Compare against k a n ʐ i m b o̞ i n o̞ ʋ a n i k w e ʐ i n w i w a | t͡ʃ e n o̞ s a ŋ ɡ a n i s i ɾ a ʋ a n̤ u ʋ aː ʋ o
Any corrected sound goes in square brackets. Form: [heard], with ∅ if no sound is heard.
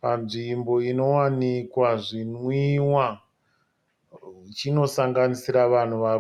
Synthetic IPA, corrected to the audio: [p] a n ʐ i m b o̞ i n o̞ [w] a n i k w [a] ʐ i n w i w a | t͡ʃ [i] n o̞ s a ŋ ɡ a n i s i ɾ a ʋ a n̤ u ʋ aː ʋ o